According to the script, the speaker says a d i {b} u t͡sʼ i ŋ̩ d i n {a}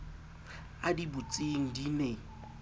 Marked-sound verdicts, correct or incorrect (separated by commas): correct, incorrect